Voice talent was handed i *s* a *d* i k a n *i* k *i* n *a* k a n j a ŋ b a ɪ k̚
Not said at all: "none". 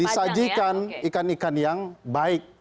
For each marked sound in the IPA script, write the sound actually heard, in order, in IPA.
s, d͡ʒ, i, a, i

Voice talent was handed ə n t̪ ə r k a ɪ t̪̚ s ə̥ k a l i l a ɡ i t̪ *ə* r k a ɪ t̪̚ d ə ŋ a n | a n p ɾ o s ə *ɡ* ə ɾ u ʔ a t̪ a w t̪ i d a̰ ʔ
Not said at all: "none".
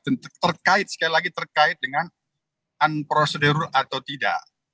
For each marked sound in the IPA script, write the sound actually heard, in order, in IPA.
ə, d

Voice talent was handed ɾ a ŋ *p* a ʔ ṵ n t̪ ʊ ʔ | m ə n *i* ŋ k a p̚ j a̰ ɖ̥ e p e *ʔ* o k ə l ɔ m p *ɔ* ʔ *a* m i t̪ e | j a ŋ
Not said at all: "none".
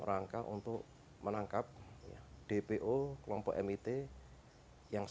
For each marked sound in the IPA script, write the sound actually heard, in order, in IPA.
k, a, ʔ, ɔ, ɛ

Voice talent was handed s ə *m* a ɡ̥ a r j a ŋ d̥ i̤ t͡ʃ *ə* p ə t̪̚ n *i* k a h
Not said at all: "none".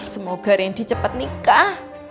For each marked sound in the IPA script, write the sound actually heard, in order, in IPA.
m, ə, i

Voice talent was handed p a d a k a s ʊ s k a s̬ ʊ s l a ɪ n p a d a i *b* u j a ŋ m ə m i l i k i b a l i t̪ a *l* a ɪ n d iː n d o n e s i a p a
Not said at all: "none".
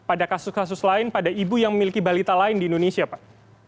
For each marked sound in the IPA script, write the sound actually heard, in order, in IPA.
b, l

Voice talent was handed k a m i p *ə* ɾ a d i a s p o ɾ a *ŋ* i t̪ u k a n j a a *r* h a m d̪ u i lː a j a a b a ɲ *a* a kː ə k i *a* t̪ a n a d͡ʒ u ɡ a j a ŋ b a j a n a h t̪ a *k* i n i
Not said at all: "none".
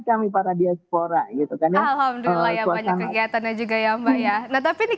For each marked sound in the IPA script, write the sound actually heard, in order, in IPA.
a, ɡ, l, a, a, p

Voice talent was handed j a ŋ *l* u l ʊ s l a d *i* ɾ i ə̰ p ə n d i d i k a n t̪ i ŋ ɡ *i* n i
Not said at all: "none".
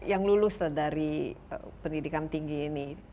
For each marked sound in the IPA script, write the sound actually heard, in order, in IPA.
l, a, iː

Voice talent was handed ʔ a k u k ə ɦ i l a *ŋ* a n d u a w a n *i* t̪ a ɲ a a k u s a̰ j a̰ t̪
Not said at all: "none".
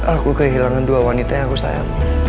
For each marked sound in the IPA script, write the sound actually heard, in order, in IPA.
ŋ, i

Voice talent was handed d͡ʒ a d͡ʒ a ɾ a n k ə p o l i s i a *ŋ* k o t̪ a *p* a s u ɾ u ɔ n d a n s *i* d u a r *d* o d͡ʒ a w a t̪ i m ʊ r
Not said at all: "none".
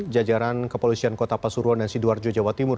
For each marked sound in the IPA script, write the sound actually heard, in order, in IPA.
n, p, i, d͡ʒ

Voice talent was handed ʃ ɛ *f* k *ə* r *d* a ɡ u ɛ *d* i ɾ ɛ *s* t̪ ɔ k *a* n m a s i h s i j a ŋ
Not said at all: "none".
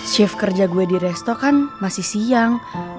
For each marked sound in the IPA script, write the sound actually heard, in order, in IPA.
f, ə, d͡ʒ, d, s, a

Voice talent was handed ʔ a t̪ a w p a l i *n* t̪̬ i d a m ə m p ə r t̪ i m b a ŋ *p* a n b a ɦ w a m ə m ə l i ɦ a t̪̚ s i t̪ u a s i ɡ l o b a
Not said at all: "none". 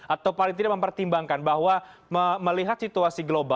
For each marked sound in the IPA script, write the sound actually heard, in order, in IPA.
ŋ, k

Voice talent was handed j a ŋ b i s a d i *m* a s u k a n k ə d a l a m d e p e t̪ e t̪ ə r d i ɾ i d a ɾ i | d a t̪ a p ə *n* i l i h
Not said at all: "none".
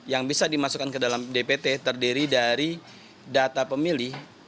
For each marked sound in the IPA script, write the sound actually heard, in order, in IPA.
m, m

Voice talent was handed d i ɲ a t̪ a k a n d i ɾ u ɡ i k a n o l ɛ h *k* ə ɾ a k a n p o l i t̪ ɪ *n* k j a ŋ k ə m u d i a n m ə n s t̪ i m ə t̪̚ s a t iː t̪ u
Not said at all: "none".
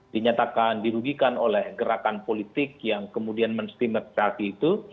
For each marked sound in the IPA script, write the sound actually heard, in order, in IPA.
ɡ, none

